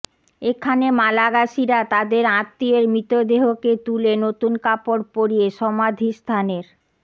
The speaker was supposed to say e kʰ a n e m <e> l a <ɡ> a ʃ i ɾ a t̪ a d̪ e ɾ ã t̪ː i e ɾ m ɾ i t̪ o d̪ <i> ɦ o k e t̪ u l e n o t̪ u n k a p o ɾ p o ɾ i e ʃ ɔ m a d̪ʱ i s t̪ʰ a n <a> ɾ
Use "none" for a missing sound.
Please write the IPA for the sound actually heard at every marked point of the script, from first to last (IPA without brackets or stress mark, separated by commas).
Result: a, ɡ, e, e